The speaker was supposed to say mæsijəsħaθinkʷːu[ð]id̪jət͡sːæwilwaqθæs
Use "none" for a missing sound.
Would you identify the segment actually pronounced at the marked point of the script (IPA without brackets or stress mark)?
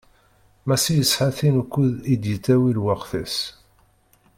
ð